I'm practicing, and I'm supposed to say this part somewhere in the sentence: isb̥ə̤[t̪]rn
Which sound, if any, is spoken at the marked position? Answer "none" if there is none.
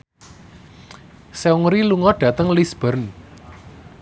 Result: none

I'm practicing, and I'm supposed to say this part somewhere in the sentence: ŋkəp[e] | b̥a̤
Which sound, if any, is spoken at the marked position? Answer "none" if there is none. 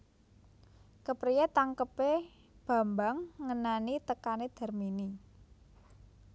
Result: e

